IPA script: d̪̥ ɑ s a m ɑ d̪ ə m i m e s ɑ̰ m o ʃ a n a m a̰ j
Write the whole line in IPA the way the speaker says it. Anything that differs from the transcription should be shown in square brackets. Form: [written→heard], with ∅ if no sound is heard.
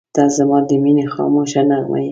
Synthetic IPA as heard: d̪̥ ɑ [s→z] a m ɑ d̪ ə m i [m→n] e [s→x] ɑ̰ m o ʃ a n a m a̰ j